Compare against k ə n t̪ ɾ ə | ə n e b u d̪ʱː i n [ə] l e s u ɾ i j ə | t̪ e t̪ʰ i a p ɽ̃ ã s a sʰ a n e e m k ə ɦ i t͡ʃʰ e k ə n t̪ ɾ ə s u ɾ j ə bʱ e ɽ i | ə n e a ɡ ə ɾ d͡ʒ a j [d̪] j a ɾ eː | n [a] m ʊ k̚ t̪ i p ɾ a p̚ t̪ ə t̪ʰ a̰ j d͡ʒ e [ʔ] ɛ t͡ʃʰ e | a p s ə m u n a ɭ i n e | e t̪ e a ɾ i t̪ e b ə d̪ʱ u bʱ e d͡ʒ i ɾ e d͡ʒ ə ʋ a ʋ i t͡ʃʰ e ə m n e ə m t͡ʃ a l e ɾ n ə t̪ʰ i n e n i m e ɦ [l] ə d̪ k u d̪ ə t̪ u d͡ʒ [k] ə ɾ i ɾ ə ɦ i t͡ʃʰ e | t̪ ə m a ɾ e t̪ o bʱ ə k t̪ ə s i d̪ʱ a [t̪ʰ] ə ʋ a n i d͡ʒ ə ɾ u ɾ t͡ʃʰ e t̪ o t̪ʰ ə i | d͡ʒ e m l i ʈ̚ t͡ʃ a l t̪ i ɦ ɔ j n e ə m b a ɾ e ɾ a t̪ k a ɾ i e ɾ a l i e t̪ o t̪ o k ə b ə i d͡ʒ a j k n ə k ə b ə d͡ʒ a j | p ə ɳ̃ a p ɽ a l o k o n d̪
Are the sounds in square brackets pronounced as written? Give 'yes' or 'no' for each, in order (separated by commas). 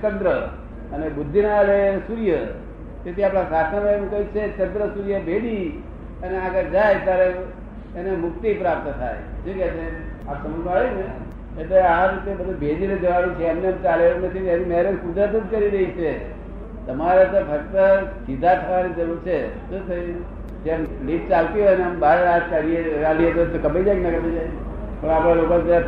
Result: no, no, no, no, no, yes, yes